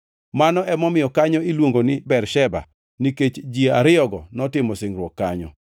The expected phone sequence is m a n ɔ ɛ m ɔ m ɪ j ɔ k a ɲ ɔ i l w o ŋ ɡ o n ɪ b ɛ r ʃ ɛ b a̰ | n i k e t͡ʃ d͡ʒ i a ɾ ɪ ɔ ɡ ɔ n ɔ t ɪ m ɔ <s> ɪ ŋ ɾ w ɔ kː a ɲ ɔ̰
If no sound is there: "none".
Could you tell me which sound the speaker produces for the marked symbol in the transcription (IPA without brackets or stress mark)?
s